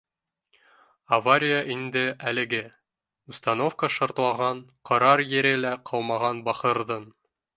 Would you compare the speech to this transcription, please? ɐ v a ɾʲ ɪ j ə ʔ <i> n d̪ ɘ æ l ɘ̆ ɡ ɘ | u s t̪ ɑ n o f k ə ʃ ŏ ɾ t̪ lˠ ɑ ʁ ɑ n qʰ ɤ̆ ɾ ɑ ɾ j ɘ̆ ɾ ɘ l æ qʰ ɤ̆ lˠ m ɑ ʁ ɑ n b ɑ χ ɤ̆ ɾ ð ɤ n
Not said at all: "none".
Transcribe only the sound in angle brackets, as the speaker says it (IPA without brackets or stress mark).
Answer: i